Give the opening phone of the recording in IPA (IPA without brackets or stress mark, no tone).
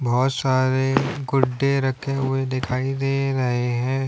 b